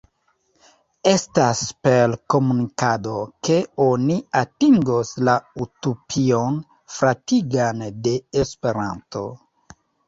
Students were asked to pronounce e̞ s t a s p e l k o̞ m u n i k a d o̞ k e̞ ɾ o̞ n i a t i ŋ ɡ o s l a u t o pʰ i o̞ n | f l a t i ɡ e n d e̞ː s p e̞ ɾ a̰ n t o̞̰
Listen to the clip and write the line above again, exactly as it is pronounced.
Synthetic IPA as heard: e̞ s t a s p e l k o̞ m u n i k a d o̞ k e̞ o̞ n i a t i ŋ ɡ o s l a u t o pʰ i o̞ n | f ɾ a t i ɡ a n d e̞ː s p e̞ ɾ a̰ n t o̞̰